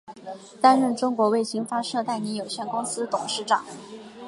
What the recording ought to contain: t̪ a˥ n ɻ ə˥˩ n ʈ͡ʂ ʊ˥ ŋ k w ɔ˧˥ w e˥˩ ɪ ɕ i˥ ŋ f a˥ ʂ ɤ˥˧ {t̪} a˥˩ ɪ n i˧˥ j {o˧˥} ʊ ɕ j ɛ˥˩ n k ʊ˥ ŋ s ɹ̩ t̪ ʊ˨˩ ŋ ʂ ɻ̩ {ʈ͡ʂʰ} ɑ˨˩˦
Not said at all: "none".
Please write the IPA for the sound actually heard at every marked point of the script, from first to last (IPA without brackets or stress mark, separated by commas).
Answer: t̪, o˨˩, ʈ͡ʂ